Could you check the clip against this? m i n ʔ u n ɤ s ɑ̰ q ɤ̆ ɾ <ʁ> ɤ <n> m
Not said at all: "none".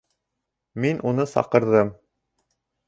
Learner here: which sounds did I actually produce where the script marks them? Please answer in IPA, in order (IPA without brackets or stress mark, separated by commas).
ð, none